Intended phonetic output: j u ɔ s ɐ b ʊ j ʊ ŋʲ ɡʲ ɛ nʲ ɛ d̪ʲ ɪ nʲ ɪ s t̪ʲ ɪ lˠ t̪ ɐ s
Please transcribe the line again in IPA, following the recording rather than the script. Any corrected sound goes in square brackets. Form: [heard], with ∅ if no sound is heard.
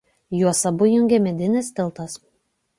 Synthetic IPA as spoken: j u ɔ s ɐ b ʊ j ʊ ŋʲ ɡʲ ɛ [mʲ] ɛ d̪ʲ ɪ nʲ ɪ s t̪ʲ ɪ lˠ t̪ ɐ s